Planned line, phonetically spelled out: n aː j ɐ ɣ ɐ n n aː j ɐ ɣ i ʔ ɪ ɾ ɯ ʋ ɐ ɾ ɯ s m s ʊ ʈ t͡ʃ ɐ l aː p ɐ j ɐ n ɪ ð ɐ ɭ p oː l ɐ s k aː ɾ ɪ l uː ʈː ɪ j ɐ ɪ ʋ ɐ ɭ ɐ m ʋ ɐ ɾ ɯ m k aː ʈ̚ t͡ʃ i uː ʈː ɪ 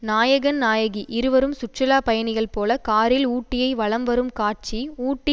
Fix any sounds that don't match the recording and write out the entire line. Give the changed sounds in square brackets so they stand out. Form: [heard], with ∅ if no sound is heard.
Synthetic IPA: n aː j ɐ ɣ ɐ n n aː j ɐ ɣ i ʔ ɪ ɾ ɯ ʋ ɐ ɾ ɯ [∅] m s ʊ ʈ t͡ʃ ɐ l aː p ɐ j ɐ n ɪ [ɣ] ɐ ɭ p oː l ɐ [∅] k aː ɾ ɪ l uː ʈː ɪ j ɐ ɪ ʋ ɐ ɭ ɐ m ʋ ɐ ɾ ɯ m k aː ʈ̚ t͡ʃ i uː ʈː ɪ